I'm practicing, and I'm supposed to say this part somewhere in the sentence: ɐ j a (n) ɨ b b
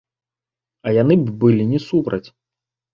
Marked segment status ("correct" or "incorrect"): correct